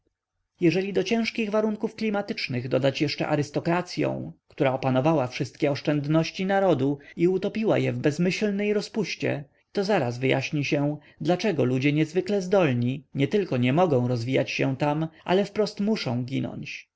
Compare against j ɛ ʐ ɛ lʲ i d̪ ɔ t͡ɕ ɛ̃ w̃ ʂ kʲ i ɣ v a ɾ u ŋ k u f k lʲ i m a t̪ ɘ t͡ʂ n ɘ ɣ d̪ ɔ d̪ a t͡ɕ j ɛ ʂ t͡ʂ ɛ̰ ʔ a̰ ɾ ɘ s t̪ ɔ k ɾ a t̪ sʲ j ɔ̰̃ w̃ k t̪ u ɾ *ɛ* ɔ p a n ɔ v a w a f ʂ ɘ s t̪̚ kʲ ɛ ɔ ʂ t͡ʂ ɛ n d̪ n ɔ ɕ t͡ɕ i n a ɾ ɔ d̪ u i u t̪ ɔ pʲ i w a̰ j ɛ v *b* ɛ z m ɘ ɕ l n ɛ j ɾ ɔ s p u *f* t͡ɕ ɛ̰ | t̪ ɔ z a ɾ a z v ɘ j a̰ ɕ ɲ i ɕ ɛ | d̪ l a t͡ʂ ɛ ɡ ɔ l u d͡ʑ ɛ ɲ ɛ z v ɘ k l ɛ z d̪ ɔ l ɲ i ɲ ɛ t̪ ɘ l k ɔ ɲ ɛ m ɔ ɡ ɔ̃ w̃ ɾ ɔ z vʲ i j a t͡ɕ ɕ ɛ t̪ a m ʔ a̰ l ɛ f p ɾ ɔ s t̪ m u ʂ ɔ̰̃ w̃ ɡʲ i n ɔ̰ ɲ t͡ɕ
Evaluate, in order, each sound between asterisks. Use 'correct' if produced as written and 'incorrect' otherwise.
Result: incorrect, correct, incorrect

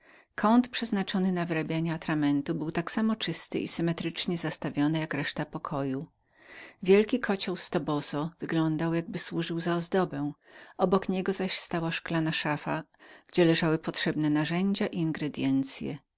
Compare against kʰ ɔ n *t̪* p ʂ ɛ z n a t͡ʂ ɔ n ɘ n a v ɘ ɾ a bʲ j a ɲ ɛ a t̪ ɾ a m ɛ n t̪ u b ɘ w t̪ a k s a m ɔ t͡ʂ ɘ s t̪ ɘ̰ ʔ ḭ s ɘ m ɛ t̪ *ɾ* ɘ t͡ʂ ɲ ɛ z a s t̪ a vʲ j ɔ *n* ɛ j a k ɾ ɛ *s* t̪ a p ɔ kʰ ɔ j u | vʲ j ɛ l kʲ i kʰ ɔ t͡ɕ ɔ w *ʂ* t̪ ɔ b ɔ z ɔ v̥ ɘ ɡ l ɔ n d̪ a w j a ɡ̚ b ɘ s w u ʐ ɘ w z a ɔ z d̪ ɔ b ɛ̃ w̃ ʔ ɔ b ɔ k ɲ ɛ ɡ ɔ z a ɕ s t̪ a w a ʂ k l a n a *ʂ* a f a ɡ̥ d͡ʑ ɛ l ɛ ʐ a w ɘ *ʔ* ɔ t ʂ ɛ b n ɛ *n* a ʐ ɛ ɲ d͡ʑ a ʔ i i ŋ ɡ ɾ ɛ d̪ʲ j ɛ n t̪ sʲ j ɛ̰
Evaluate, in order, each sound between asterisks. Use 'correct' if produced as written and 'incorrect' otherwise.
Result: correct, correct, correct, incorrect, incorrect, correct, incorrect, correct

